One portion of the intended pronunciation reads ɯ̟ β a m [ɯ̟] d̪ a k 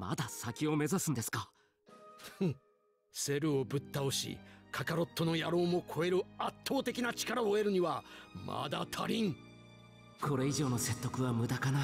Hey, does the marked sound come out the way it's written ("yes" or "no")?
yes